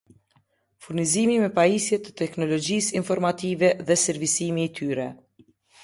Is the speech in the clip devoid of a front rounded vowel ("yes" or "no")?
no